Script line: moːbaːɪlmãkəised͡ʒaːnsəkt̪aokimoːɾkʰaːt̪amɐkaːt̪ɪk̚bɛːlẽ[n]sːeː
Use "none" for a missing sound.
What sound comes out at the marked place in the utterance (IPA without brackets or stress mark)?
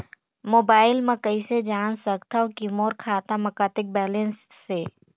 n